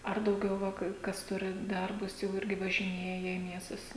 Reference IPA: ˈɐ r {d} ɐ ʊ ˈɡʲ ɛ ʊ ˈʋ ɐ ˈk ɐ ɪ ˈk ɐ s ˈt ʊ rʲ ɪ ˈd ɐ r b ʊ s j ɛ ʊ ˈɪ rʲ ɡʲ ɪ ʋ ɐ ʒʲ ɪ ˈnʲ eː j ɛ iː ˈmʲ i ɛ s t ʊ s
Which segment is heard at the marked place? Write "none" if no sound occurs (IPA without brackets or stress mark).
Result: d